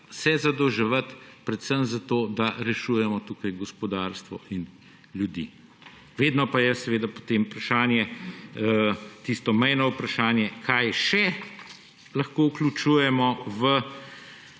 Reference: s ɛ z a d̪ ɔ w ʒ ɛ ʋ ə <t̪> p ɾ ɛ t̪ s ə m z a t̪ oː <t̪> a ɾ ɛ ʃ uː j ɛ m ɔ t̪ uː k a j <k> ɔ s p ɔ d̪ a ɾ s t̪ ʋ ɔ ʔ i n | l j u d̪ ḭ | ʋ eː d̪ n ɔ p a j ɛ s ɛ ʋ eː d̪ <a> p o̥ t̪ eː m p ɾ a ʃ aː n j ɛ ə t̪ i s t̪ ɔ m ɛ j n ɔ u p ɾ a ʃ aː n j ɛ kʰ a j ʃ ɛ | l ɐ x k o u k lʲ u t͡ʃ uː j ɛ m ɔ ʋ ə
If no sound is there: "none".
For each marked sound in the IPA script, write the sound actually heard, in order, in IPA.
t̪, d̪, ɡ, a

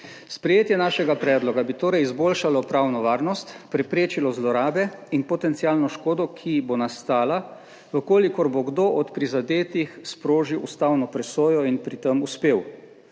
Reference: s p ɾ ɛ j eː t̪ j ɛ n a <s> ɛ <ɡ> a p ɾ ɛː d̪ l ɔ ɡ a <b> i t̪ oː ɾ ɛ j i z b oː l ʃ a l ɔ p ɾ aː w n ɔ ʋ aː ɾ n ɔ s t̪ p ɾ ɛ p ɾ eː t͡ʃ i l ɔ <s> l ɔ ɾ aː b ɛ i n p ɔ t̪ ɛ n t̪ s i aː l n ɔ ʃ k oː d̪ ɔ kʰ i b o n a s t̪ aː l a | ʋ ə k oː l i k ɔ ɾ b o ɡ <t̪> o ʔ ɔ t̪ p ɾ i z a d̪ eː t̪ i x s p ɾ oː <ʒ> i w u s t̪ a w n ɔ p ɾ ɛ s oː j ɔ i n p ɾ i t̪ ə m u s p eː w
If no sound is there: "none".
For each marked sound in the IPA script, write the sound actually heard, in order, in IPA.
ʃ, ɡ, b, z, d̪, ʒ

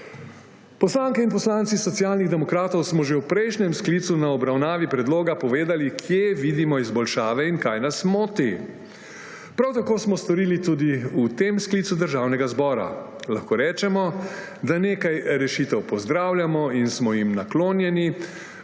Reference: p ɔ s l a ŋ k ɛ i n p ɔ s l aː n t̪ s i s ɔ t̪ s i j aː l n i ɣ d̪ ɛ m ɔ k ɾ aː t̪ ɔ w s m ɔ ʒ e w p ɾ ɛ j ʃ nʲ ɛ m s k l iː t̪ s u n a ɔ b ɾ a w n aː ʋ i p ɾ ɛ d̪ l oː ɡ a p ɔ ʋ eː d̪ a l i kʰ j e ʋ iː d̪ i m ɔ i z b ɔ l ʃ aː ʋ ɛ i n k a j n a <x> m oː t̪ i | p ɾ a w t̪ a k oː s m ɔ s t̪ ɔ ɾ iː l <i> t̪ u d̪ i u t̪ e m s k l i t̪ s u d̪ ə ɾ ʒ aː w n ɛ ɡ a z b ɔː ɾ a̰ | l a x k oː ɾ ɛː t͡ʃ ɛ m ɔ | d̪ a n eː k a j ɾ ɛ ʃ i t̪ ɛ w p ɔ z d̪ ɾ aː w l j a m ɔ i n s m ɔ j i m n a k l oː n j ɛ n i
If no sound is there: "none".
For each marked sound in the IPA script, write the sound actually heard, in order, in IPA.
s, i

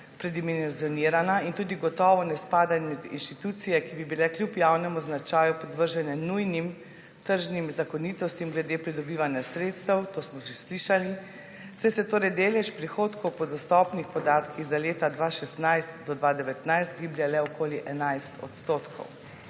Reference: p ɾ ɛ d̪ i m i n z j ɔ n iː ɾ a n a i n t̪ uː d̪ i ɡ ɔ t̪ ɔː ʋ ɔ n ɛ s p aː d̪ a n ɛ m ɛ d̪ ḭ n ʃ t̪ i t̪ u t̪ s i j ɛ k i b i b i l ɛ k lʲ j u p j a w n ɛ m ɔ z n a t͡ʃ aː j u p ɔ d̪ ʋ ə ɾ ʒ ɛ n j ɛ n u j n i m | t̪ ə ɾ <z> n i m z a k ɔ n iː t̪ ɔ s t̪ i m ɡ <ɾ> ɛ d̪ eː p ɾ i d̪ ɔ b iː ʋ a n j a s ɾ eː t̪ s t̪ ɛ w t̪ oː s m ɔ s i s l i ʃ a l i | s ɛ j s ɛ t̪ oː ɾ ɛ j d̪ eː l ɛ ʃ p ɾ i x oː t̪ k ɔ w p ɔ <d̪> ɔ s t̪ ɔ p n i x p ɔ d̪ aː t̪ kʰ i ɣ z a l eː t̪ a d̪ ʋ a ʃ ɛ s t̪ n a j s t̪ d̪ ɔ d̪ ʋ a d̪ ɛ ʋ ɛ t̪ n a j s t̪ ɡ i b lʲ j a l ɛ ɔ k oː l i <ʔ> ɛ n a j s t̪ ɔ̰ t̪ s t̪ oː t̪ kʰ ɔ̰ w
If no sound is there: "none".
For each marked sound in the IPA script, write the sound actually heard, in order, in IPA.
ʒ, l, d̪, ʔ

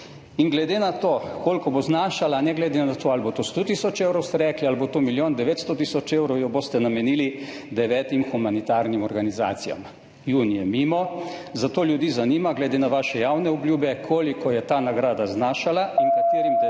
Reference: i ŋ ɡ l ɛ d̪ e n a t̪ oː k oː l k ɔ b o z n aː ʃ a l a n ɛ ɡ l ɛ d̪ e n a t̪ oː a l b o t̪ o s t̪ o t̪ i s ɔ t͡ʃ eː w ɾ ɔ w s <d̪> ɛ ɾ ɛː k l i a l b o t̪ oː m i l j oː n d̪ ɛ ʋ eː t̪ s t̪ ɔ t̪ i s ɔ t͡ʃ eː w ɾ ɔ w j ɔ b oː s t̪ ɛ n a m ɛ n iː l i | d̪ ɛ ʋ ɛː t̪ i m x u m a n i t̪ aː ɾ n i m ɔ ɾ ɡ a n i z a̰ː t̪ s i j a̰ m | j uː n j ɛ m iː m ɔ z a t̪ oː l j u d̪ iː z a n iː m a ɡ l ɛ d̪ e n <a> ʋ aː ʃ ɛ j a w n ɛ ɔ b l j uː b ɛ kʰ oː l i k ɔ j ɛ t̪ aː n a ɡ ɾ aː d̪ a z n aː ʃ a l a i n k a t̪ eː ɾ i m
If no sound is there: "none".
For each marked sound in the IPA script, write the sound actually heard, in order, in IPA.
t̪, a

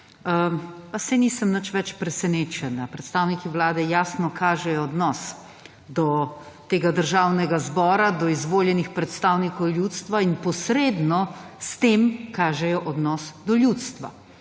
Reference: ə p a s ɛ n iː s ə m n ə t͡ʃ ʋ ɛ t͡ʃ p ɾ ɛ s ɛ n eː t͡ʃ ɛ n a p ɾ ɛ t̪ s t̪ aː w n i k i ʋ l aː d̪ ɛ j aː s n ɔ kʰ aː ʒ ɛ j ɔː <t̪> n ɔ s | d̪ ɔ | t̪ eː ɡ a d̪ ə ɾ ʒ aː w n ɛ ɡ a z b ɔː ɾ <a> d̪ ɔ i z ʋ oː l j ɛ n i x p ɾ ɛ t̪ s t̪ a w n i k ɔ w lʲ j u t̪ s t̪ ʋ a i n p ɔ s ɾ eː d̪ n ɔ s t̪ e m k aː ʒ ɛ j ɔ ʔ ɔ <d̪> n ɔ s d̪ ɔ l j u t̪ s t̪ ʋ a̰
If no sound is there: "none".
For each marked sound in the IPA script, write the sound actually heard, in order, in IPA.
d̪, a, d̪

